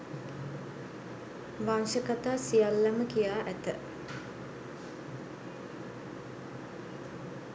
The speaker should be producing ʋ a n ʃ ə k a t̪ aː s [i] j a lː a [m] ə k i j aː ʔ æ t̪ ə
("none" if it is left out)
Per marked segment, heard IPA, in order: i, m

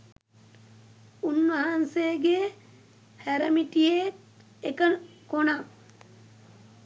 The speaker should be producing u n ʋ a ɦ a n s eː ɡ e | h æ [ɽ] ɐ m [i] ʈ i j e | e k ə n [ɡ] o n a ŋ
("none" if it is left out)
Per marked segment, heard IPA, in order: ɾ, i, k

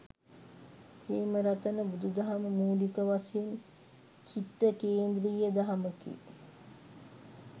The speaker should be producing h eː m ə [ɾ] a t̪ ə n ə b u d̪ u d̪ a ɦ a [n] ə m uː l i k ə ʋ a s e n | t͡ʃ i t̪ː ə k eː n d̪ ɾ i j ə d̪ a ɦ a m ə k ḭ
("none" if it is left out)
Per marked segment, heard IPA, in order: ɾ, m

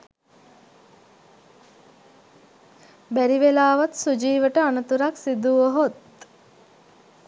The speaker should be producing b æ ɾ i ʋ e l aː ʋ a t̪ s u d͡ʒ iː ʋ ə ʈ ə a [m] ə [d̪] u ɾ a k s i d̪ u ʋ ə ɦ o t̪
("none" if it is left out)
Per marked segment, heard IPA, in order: n, t̪

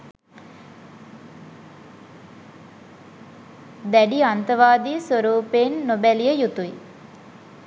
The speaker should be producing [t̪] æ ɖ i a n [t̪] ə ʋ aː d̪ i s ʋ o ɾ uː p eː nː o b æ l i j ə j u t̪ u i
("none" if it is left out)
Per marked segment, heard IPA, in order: d̪, t̪

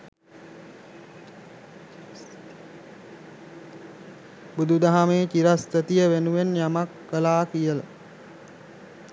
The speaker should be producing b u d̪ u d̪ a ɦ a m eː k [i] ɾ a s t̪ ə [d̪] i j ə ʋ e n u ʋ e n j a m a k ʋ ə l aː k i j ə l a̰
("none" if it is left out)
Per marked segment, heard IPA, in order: i, t̪

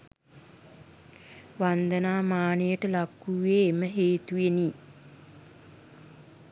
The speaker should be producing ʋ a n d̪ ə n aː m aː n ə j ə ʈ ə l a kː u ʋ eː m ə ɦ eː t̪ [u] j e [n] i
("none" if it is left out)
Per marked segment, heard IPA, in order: u, n

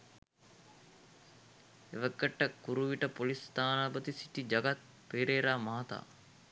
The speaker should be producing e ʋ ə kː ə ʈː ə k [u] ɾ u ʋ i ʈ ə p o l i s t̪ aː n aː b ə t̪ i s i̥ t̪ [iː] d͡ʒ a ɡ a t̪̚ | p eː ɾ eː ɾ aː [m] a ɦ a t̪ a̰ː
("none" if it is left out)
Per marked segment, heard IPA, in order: u, i, m

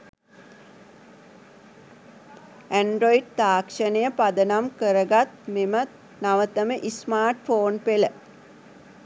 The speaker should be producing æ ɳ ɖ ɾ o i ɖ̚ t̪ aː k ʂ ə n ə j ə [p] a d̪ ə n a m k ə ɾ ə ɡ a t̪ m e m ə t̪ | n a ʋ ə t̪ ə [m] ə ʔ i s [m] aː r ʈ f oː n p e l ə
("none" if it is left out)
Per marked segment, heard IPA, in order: p, m, m

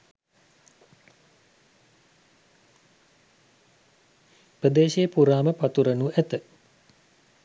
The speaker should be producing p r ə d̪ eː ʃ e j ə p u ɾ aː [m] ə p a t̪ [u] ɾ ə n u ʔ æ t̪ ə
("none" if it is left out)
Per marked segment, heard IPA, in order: m, u

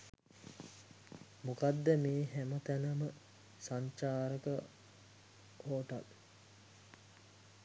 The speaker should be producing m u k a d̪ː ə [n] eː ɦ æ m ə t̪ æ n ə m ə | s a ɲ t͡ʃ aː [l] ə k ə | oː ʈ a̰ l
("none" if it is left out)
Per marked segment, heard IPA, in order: m, ɾ

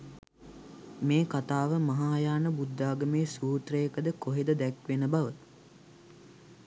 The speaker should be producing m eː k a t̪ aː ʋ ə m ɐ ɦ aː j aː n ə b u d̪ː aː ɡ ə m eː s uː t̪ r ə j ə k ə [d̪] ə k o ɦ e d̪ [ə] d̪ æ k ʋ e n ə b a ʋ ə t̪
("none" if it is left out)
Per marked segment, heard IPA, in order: d̪, ə

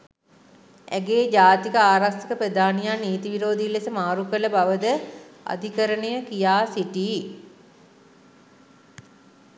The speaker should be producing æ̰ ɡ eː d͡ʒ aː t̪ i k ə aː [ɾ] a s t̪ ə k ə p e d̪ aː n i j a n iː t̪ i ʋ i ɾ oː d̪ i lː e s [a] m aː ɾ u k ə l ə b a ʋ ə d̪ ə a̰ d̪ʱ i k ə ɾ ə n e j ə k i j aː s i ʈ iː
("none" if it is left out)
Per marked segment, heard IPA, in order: ɾ, ə

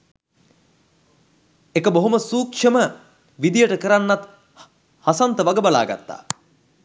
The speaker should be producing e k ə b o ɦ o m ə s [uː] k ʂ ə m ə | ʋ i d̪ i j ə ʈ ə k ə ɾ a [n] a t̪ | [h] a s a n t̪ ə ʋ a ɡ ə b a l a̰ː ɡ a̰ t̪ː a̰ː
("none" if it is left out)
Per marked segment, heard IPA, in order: uː, nː, h

